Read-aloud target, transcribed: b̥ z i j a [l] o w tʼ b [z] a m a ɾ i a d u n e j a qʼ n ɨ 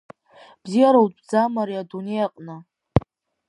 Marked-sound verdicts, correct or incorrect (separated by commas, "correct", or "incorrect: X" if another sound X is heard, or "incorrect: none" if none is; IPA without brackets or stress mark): incorrect: ɾ, incorrect: d͡z